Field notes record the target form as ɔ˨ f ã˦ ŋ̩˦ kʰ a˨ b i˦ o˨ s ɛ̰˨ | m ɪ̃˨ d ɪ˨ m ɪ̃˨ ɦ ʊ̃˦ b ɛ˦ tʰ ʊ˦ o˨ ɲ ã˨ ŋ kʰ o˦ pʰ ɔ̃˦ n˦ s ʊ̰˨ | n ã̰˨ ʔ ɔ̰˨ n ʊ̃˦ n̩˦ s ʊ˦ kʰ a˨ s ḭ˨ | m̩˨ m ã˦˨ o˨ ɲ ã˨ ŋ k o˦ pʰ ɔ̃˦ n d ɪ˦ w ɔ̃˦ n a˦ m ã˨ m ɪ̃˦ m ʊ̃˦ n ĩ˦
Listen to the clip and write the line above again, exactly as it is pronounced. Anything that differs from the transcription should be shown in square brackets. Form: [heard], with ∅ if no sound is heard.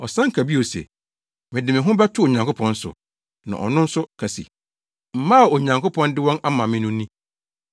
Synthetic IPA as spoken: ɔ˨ [s] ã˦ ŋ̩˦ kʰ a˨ b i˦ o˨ s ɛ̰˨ | m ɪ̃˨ d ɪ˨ m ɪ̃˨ ɦ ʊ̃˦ b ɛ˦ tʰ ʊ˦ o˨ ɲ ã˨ ŋ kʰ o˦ pʰ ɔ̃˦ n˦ s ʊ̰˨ | n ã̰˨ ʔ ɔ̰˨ n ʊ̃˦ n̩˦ s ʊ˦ kʰ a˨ s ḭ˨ | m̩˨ m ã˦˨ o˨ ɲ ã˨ ŋ k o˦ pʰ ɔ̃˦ n d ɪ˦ w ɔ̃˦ n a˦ m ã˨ m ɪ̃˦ [n] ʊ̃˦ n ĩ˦